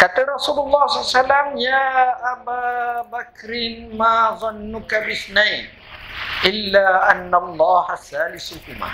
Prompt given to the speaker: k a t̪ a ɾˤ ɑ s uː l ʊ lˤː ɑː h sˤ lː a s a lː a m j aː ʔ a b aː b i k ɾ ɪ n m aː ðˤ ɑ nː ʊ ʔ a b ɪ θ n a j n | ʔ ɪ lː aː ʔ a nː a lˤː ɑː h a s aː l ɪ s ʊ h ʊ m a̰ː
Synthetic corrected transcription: k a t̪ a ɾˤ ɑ s uː l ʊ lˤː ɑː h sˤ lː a s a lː a m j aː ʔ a b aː b a k ɾ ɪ n m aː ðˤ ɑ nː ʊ k a b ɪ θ n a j n | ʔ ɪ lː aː ʔ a nː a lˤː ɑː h a s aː l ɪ s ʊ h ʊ m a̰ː

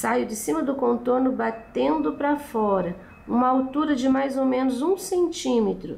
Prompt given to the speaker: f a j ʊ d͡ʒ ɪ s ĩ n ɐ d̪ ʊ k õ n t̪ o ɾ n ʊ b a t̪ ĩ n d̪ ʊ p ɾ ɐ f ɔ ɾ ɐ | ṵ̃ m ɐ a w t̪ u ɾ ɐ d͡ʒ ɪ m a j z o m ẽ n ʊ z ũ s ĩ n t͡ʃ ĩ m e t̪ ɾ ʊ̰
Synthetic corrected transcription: s a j ʊ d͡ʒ ɪ s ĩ m ɐ d̪ ʊ k õ n t̪ o ɾ n ʊ b a t̪ ẽ n d̪ ʊ p ɾ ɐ f ɔ ɾ ɐ | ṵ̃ m ɐ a w t̪ u ɾ ɐ d͡ʒ ɪ m a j z o m ẽ n ʊ z ũ s ẽ n t͡ʃ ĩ m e t̪ ɾ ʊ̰

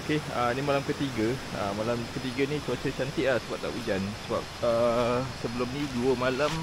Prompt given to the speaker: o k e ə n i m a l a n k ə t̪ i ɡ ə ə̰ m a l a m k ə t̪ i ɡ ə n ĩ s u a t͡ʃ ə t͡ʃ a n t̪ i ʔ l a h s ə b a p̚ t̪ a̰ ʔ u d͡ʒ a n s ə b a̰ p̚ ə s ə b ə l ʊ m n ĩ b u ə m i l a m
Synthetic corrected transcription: o k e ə n i m a l a m k ə t̪ i ɡ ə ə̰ m a l a m k ə t̪ i ɡ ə n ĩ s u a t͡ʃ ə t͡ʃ a n t̪ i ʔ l a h s ə b a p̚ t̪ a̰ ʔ u d͡ʒ a n s ə b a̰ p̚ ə s ə b ə l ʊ m n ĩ d u ə m a l a m

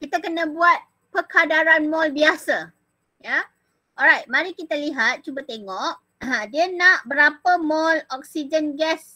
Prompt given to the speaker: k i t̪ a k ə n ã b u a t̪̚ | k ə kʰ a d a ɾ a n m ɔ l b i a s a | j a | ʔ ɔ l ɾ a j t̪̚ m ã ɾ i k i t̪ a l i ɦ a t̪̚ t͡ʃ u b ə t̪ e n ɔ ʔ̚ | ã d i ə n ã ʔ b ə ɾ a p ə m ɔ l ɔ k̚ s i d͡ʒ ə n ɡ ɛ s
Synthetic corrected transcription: k i t̪ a k ə n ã b u a t̪̚ | p ə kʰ a d a ɾ a n m ɔ l b i a s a | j a | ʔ ɔ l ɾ a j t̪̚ m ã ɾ i k i t̪ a l i ɦ a t̪̚ t͡ʃ u b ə t̪ e ŋ ɔ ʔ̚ | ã d i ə n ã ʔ b ə ɾ a p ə m ɔ l ɔ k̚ s i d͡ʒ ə n ɡ ɛ s

